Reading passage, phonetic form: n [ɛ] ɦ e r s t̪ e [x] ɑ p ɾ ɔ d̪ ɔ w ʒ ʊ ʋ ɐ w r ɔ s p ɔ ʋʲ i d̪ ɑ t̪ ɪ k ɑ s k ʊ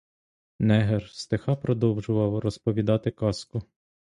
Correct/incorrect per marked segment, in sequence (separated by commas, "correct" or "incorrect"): correct, correct